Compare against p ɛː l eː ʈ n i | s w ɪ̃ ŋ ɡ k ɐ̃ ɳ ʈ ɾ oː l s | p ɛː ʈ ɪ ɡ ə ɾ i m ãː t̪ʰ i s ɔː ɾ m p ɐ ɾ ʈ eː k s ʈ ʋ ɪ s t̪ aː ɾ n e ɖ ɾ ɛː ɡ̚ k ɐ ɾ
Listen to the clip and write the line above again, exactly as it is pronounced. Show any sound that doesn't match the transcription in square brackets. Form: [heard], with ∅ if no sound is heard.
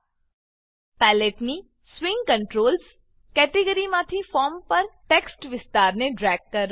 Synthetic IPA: p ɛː l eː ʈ n i | s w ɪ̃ ŋ ɡ k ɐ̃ ɳ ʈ ɾ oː l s | [k] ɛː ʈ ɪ ɡ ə ɾ i m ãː t̪ʰ i [f] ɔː ɾ m p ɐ ɾ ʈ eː k s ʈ ʋ ɪ s t̪ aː ɾ n e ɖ ɾ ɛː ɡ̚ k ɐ ɾ